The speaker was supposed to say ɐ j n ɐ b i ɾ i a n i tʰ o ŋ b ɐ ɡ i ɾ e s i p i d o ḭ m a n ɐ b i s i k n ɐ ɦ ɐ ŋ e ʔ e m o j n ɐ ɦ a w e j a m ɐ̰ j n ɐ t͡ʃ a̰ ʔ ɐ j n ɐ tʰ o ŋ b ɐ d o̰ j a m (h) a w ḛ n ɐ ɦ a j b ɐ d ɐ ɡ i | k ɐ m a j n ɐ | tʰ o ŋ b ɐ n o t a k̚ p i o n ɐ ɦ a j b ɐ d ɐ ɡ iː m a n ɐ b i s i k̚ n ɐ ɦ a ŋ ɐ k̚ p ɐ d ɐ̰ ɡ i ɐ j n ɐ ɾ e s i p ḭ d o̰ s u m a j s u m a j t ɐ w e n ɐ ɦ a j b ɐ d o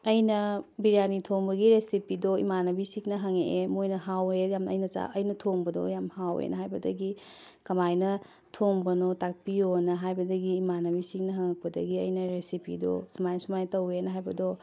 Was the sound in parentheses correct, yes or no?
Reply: yes